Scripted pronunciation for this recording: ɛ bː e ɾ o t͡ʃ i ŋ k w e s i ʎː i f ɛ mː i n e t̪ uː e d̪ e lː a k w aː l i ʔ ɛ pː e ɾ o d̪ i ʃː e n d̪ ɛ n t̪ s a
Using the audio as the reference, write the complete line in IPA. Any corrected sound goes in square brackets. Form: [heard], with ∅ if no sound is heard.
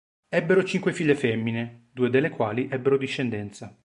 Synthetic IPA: ɛ bː e ɾ o t͡ʃ i ŋ k w e [f] i ʎː [e] f ɛ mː i n e [d̪] uː e d̪ e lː [e] k w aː l i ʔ ɛ [bː] e ɾ o d̪ i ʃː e n d̪ ɛ n t̪ s a